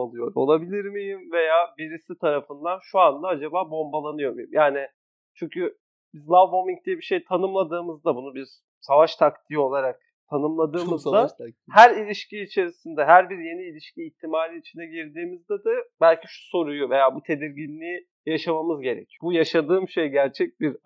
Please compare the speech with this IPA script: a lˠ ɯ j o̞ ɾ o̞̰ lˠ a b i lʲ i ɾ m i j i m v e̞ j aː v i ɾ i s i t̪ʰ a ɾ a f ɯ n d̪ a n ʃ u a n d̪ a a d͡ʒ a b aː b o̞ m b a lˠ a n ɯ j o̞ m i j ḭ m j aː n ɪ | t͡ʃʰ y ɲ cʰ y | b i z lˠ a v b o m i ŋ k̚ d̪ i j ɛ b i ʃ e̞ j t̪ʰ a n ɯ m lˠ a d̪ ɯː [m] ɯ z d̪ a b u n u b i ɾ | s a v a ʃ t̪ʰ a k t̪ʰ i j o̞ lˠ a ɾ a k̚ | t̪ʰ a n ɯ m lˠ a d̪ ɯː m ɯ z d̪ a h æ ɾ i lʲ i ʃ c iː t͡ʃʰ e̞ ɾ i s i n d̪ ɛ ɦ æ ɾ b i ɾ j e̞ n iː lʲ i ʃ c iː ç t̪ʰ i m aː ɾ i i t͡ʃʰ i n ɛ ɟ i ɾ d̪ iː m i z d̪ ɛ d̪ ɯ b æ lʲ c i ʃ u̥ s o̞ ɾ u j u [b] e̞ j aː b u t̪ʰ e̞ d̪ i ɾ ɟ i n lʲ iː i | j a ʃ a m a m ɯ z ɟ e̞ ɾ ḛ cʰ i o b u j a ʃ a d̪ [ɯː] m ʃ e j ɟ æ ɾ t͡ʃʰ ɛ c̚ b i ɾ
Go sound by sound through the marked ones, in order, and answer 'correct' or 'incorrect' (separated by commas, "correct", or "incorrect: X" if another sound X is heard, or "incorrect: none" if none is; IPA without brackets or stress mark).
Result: correct, incorrect: v, correct